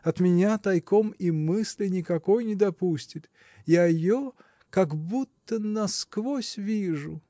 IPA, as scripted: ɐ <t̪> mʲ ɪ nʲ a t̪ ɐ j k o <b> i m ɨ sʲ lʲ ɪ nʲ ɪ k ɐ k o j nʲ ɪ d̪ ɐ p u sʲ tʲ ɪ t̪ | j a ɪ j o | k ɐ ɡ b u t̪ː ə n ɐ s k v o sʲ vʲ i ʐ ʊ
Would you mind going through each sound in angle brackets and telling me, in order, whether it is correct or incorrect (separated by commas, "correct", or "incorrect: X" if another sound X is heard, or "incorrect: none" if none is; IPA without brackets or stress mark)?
correct, incorrect: m